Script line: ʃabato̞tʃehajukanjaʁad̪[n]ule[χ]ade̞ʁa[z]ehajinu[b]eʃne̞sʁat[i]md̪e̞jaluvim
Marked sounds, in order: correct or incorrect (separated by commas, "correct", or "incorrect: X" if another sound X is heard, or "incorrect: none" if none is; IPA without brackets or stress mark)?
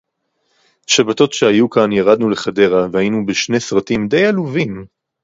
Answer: correct, correct, incorrect: v, correct, correct